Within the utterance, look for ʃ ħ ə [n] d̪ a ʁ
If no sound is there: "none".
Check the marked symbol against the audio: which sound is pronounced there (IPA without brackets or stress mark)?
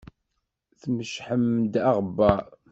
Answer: m